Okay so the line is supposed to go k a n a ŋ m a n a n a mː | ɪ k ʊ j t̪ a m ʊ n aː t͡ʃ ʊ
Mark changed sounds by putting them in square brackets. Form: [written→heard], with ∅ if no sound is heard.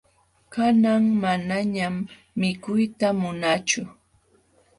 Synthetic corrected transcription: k a n a ŋ m a n a [n→ɲ] a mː | ɪ k ʊ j t̪ a m ʊ n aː t͡ʃ ʊ